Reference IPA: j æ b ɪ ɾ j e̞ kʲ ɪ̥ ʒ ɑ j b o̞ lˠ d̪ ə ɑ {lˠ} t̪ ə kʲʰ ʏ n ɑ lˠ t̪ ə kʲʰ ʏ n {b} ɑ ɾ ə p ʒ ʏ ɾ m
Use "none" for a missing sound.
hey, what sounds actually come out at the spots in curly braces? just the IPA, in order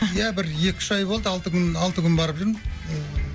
lˠ, b

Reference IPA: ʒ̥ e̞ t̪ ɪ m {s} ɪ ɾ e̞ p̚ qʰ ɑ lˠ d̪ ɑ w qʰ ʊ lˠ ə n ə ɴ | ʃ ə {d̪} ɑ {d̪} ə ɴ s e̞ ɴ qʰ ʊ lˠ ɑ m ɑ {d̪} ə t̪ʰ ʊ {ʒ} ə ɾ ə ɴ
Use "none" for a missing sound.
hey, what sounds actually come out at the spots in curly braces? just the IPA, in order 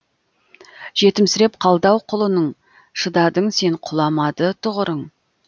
s, d̪, d̪, d̪, ʁ

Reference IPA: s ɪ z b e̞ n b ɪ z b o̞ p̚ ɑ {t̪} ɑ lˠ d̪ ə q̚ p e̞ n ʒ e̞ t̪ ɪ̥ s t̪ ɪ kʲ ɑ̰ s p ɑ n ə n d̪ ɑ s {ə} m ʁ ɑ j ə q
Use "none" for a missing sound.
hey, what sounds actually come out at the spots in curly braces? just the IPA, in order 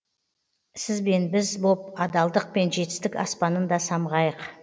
d̪, ɑ

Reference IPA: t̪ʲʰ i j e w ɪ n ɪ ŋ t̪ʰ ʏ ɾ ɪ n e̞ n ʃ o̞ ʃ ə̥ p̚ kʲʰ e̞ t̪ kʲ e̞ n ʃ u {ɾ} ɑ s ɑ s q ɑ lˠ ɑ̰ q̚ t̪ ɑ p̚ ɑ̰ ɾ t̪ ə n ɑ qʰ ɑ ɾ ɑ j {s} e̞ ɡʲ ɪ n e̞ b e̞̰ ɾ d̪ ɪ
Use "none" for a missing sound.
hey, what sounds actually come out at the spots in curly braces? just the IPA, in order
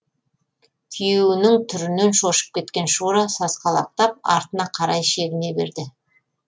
ɾ, ʃ

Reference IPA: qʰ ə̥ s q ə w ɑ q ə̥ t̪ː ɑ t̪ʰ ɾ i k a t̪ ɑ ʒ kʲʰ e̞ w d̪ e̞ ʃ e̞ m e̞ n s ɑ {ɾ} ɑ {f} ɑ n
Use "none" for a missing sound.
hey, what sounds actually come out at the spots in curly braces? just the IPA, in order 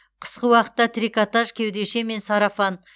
ɾ, f

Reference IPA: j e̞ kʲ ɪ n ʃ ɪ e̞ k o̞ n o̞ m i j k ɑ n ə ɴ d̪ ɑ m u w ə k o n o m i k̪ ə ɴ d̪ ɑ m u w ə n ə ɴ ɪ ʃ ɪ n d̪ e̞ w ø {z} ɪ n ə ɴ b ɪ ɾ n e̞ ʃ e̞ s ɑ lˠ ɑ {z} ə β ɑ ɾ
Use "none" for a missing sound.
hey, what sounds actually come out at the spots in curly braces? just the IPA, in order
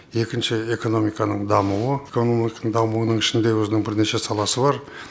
z, s

